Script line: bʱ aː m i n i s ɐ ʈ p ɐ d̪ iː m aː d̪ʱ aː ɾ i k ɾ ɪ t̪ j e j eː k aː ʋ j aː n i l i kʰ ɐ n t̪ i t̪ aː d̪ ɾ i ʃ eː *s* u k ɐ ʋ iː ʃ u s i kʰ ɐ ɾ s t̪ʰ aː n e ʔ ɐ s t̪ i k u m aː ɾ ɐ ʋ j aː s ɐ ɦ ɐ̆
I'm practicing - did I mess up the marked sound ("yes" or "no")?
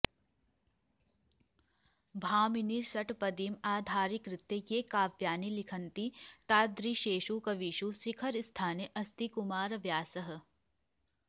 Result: yes